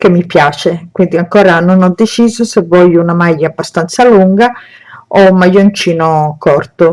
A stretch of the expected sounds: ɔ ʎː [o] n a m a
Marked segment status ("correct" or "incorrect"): incorrect